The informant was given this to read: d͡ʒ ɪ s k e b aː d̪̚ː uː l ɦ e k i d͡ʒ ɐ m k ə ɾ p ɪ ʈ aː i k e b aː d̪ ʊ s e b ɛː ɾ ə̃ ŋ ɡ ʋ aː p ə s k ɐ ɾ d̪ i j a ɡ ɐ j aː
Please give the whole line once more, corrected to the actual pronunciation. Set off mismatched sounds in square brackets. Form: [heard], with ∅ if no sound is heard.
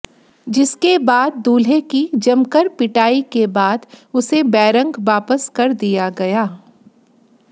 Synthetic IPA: d͡ʒ ɪ s k e b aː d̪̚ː uː l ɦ e k i d͡ʒ ɐ m k ə ɾ p ɪ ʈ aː i k e b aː d̪ ʊ s e b ɛː ɾ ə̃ ŋ ɡ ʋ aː p ə s k ɐ ɾ d̪ i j a ɡ ɐ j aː